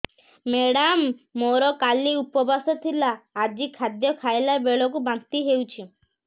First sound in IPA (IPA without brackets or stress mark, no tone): m